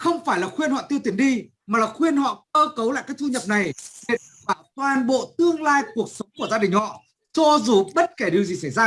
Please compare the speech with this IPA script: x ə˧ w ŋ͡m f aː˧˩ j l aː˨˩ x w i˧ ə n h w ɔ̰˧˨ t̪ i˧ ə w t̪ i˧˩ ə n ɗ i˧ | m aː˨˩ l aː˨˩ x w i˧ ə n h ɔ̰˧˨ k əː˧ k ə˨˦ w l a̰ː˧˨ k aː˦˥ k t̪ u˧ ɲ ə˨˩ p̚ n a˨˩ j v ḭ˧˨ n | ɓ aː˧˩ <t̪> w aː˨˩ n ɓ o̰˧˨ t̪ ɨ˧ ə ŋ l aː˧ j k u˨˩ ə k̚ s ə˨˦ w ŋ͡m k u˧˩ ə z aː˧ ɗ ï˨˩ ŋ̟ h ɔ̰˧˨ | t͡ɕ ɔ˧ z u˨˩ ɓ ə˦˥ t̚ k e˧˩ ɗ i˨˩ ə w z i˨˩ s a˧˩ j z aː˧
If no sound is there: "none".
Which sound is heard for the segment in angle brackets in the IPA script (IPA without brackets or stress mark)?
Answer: t̪